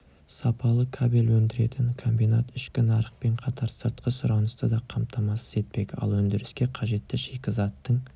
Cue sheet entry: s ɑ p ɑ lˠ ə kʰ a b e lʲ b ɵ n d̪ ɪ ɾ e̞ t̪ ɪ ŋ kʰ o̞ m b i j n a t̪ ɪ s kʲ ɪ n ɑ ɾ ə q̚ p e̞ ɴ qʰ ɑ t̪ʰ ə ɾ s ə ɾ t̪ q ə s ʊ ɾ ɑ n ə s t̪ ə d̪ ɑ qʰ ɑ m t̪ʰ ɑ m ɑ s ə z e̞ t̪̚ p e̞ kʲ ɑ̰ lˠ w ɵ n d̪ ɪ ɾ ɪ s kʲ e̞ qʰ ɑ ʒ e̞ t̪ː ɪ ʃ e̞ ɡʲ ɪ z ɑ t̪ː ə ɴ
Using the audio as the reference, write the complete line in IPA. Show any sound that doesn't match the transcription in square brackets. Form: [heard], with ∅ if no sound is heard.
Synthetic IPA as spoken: s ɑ p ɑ lˠ ə kʰ a b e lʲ [w] ɵ n d̪ ɪ ɾ e̞ t̪ ɪ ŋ kʰ o̞ m b i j n a t̪ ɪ [ʃ] kʲ ɪ n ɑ ɾ ə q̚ p e̞ ɴ qʰ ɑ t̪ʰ [ɑ] ɾ s ə ɾ t̪ q ə s ʊ ɾ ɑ n ə s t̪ ə d̪ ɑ qʰ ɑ m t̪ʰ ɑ m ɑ s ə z e̞ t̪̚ p e̞ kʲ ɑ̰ lˠ w ɵ n d̪ ɪ ɾ ɪ s kʲ e̞ qʰ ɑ ʒ e̞ t̪ː ɪ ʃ e̞ [kʲ] ɪ z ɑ t̪ː ə ɴ